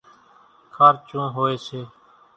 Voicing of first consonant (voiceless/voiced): voiceless